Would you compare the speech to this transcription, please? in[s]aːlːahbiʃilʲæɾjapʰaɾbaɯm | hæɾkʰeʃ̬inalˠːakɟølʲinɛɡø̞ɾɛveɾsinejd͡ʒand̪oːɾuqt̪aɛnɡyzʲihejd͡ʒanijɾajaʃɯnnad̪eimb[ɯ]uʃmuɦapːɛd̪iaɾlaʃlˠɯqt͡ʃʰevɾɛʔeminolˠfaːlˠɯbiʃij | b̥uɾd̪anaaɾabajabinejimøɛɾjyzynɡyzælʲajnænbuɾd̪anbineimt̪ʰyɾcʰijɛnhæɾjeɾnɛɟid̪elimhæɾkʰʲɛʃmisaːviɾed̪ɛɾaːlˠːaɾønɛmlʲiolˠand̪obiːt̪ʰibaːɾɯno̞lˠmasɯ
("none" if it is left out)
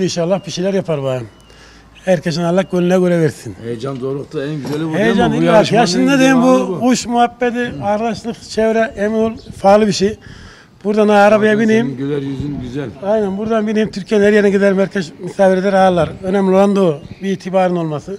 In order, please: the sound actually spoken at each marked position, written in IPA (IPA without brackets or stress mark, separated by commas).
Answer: ʃ, u